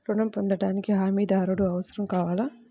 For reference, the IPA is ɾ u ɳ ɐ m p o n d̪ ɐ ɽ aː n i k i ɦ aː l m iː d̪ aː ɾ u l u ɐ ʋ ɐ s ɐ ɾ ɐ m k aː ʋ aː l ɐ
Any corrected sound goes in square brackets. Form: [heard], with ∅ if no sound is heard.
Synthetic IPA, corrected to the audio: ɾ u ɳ ɐ m p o n d̪ ɐ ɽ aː n i k i ɦ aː [∅] m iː d̪ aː ɾ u [ɽ] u ɐ ʋ ɐ s ɐ ɾ ɐ m k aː ʋ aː l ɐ